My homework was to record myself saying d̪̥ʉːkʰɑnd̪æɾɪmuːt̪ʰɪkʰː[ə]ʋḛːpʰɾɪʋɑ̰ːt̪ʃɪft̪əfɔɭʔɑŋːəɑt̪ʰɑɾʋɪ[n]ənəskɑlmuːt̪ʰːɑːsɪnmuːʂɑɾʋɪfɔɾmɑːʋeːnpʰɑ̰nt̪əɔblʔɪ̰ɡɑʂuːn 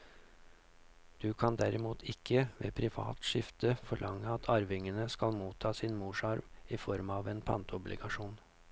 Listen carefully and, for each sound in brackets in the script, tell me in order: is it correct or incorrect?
correct, incorrect: ŋ

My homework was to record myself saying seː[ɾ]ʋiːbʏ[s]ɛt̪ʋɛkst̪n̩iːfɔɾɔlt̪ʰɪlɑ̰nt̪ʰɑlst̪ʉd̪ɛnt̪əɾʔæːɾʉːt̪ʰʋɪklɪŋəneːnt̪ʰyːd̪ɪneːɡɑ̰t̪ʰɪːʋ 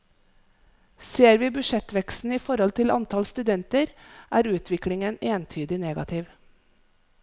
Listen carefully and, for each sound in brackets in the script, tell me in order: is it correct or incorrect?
correct, incorrect: ʃ

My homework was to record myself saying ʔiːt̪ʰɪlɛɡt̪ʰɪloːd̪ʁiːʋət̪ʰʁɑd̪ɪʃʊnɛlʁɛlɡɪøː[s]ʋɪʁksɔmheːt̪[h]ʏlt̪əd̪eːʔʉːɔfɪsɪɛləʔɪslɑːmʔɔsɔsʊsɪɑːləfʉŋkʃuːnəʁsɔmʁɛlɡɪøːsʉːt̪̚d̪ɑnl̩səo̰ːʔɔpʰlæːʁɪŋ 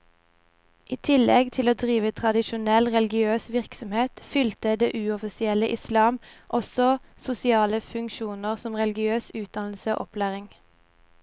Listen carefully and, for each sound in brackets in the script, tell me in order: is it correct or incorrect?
correct, incorrect: f

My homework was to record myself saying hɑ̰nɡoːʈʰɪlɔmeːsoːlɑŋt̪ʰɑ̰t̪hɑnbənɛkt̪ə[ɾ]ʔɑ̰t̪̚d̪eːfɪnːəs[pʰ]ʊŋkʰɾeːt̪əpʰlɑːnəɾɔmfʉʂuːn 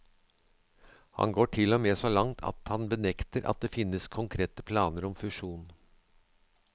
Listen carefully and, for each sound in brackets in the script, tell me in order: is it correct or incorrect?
correct, incorrect: kʰ

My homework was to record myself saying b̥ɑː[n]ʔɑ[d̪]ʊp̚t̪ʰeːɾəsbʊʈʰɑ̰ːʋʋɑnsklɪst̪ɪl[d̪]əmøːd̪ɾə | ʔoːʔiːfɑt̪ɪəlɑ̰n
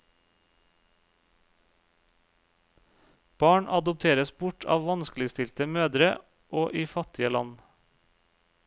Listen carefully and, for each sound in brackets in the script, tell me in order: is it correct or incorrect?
incorrect: ɳ, correct, incorrect: t̪

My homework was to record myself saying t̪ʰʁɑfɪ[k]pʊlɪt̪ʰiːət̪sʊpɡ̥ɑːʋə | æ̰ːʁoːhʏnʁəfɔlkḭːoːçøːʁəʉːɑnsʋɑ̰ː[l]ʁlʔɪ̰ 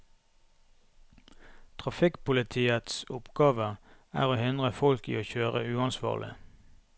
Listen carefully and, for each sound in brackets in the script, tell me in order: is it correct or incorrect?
correct, incorrect: none

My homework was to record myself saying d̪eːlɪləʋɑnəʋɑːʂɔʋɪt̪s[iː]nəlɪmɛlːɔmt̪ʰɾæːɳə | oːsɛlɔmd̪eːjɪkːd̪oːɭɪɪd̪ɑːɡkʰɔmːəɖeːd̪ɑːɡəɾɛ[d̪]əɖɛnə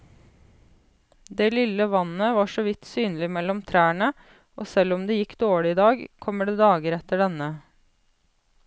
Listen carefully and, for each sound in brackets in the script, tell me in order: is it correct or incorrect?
incorrect: yː, incorrect: t̪

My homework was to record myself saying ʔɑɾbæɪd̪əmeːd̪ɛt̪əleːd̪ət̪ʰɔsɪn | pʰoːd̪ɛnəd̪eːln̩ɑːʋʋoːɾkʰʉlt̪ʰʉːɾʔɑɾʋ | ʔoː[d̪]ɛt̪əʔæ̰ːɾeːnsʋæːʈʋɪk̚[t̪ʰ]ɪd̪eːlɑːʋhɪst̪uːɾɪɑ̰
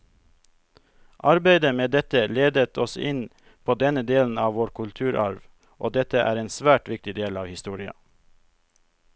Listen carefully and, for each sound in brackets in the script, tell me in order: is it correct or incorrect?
correct, incorrect: t̪

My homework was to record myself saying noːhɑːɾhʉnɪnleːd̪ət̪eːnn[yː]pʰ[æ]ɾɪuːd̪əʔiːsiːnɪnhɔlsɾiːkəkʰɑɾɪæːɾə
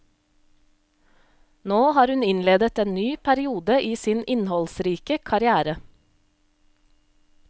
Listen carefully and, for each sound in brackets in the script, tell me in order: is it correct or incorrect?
correct, correct

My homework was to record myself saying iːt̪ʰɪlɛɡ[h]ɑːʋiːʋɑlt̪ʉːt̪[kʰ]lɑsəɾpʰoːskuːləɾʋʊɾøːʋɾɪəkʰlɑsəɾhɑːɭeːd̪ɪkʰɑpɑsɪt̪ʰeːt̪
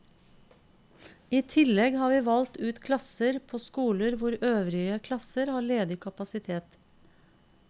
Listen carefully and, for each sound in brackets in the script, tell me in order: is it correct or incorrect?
correct, correct

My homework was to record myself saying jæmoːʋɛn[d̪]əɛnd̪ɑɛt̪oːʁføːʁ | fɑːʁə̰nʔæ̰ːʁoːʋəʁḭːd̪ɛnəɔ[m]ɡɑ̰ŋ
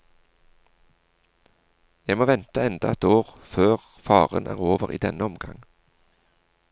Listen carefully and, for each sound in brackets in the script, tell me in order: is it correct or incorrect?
incorrect: t̪, correct

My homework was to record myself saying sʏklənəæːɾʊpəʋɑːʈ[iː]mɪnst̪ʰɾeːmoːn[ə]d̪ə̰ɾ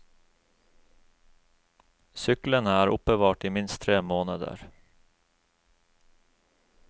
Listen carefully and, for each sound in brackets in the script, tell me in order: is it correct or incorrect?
correct, correct

